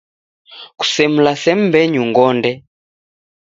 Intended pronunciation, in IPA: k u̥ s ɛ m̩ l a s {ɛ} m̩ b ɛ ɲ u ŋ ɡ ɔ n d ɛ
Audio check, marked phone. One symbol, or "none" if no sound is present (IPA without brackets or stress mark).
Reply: ɛ